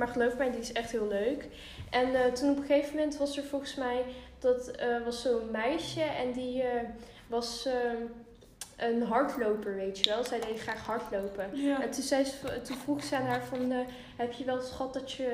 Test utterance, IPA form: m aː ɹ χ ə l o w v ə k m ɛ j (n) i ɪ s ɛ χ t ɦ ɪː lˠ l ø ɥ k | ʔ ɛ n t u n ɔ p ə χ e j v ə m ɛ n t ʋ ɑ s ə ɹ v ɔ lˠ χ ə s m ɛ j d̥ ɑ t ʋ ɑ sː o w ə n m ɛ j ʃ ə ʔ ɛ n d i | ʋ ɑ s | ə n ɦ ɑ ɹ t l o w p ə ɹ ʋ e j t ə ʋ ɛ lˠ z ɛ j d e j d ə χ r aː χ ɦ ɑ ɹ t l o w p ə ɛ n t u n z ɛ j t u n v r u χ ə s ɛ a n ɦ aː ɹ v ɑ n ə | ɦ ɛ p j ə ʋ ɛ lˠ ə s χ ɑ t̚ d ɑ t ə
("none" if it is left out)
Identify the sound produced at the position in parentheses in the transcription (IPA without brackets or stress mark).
d